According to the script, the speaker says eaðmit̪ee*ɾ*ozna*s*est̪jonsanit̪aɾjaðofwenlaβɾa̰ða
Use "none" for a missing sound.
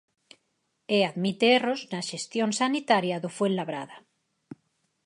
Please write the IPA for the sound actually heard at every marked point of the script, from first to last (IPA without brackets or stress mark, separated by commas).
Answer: r, ʃ